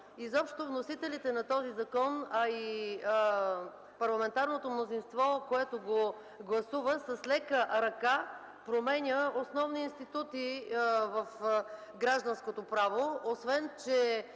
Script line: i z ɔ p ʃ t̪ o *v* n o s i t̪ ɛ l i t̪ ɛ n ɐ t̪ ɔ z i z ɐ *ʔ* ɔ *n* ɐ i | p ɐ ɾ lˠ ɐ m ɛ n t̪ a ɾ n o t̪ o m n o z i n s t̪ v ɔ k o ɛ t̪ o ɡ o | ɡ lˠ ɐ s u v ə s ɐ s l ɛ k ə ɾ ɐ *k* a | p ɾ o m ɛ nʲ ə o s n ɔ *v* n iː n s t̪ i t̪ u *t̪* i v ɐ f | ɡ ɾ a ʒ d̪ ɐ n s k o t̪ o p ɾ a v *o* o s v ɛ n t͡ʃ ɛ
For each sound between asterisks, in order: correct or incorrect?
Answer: correct, incorrect: k, correct, correct, correct, correct, correct

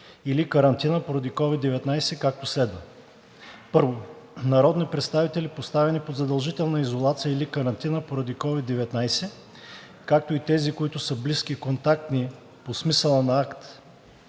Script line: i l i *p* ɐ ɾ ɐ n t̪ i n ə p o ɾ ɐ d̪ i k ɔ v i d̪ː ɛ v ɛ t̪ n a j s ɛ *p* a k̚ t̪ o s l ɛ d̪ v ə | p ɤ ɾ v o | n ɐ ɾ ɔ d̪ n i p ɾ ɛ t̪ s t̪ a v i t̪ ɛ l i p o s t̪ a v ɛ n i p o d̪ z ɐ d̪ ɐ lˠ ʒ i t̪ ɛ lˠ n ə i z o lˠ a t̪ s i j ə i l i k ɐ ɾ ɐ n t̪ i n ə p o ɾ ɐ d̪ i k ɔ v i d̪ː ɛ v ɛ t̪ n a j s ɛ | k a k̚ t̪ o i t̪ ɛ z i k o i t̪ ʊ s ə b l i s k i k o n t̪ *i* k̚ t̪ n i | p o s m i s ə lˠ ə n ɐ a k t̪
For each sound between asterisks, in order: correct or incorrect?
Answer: incorrect: k, incorrect: k, incorrect: a

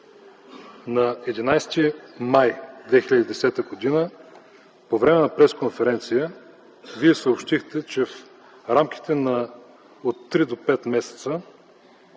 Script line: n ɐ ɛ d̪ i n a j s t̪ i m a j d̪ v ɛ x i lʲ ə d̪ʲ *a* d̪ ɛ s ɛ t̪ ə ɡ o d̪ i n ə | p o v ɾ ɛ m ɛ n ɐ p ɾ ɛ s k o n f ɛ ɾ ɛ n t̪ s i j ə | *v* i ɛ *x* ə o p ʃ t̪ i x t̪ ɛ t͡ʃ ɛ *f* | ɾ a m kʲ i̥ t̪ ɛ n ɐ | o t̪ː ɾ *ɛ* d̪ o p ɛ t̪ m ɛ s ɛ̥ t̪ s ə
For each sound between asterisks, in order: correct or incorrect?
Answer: incorrect: i, correct, incorrect: s, correct, incorrect: i

